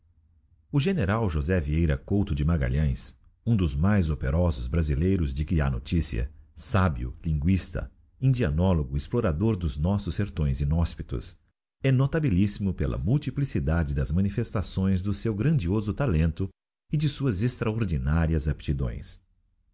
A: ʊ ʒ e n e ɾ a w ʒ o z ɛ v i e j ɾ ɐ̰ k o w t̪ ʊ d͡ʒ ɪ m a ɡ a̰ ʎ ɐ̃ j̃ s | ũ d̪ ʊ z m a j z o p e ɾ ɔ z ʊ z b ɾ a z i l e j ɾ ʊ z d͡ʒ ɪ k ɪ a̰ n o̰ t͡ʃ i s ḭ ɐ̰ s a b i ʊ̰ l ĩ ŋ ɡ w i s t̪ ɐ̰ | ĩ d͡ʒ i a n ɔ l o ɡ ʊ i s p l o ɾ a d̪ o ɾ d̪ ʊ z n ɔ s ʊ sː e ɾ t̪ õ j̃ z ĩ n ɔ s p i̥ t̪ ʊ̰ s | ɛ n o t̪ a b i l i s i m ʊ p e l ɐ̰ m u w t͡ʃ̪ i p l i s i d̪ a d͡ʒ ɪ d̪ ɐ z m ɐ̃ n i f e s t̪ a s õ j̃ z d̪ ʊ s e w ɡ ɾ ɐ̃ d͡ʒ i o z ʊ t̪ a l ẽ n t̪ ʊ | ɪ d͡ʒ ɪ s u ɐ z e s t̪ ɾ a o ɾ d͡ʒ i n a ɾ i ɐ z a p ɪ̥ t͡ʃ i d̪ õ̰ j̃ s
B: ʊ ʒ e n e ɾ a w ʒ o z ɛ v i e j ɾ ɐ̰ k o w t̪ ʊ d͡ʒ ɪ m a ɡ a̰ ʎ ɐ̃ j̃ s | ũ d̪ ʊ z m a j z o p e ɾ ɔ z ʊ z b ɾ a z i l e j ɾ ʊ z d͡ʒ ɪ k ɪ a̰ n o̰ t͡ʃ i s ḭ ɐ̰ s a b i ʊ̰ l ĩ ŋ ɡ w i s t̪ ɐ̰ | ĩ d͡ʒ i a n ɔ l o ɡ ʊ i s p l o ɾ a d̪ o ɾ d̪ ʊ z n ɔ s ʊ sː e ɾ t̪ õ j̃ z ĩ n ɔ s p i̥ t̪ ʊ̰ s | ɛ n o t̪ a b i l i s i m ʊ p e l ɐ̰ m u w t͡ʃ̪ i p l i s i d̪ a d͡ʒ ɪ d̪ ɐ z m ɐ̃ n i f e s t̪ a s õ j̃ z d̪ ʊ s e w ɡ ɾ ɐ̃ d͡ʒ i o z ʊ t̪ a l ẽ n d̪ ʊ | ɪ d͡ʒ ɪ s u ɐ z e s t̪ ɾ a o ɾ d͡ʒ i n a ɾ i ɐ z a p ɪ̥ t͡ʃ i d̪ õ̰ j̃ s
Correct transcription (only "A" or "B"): A